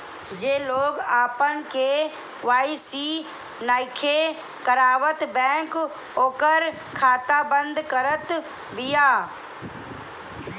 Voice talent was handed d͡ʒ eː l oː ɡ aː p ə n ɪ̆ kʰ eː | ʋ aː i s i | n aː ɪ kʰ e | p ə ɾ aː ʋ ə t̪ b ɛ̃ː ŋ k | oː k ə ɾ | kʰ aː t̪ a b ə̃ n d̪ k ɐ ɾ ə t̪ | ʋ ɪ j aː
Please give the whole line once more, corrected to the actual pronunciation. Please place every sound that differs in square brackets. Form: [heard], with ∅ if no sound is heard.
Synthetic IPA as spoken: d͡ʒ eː l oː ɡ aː p ə n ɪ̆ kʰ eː | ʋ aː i s i | n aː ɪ kʰ e | [k] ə ɾ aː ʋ ə t̪ b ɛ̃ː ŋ k | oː k ə ɾ | kʰ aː t̪ a b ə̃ n d̪ k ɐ ɾ ə t̪ | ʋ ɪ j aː